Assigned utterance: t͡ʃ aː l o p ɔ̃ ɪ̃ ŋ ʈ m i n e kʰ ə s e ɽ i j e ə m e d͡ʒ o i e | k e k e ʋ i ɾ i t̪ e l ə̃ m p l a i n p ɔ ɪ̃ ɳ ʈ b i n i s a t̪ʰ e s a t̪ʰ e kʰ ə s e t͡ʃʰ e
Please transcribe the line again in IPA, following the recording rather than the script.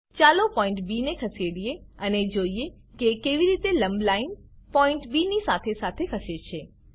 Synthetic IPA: t͡ʃ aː l o p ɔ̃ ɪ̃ ɳ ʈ b i n e kʰ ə s e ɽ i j e ə n e d͡ʒ o i e | k e k e ʋ i ɾ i t̪ e l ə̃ m b l a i n p ɔ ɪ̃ ɳ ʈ b i n i s a t̪ʰ e s a t̪ʰ e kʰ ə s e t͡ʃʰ e